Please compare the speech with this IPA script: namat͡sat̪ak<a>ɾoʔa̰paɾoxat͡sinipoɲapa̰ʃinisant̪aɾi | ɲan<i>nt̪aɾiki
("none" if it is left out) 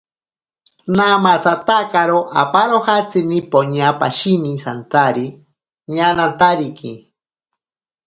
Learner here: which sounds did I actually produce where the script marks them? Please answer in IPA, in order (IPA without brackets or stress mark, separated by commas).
a, a